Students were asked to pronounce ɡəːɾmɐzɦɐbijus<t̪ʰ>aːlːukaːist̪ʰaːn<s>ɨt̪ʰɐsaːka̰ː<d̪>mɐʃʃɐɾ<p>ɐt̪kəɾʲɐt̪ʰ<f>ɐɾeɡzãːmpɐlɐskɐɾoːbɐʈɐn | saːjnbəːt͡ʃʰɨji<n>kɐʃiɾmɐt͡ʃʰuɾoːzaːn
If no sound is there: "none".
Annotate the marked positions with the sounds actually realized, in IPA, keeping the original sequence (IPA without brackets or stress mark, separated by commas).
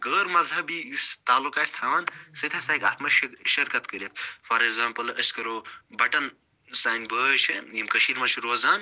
t̪, s, t̪, k, f, m